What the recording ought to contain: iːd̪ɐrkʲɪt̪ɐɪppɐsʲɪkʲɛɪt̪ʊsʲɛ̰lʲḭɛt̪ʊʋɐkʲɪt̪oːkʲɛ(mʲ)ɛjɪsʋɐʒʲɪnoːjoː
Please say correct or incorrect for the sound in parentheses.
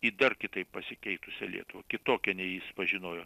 incorrect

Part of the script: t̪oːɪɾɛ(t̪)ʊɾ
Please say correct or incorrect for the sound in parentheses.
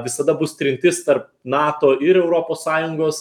incorrect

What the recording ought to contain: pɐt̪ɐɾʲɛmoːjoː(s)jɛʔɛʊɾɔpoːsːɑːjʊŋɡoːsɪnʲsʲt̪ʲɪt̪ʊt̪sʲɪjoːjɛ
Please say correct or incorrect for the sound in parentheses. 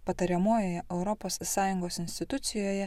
incorrect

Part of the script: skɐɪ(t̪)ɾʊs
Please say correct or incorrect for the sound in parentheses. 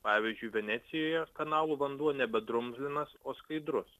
incorrect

